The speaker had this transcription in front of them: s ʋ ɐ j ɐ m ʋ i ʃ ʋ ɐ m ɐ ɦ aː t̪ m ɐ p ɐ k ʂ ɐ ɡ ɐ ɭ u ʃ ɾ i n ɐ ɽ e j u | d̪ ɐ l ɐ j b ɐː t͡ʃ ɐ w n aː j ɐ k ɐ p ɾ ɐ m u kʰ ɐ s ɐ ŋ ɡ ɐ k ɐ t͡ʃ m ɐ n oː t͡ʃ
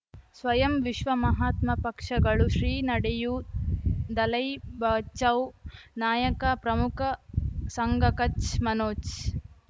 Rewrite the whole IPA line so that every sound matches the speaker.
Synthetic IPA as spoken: s ʋ ɐ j ɐ m ʋ i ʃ ʋ ɐ m ɐ ɦ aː t̪ m ɐ p ɐ k ʂ ɐ ɡ ɐ ɭ u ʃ ɾ iː n ɐ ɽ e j u | d̪ ɐ l ɐ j b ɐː t͡ʃ ɐ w n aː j ɐ k ɐ p ɾ ɐ m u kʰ ɐ s ɐ ŋ ɡ ɐ k ɐ t͡ʃ m ɐ n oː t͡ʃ